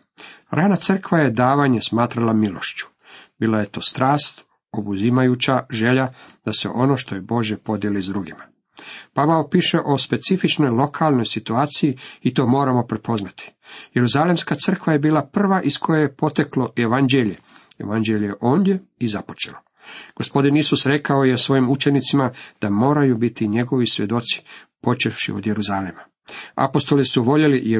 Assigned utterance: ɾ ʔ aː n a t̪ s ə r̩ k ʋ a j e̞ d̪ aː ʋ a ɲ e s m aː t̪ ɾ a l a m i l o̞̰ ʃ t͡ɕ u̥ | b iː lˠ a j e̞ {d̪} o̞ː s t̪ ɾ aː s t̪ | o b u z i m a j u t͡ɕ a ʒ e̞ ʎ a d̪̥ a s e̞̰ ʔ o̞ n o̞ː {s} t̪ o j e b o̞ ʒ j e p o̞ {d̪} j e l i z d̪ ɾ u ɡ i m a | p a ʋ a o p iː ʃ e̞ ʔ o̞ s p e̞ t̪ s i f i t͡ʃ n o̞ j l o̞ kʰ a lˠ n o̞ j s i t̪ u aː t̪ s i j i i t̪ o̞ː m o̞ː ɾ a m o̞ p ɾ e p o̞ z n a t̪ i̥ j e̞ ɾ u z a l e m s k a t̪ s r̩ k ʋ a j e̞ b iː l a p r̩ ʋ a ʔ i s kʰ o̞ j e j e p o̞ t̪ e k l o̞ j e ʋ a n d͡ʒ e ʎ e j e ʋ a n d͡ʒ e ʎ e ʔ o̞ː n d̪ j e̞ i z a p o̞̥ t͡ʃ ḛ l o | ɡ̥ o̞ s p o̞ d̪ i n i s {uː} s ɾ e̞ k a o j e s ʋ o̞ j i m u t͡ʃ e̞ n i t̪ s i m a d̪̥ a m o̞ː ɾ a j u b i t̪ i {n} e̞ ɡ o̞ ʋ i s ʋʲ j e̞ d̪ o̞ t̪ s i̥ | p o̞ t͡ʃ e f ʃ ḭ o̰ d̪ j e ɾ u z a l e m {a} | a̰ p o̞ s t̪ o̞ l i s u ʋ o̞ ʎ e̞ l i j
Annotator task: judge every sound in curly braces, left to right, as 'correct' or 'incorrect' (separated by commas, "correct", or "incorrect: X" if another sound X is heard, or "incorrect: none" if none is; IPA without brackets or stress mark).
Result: incorrect: t̪, incorrect: ʃ, correct, incorrect: u, incorrect: ɲ, correct